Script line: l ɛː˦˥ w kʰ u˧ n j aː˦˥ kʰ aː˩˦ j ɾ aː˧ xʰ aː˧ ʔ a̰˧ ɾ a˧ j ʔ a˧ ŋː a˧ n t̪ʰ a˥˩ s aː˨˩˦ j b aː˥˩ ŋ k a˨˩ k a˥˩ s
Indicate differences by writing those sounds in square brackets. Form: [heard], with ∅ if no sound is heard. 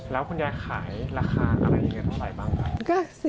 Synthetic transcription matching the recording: l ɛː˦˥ w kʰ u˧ n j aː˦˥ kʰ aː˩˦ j ɾ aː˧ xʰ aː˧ ʔ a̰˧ ɾ a˧ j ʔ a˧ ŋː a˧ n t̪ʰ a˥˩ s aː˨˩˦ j b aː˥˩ ŋ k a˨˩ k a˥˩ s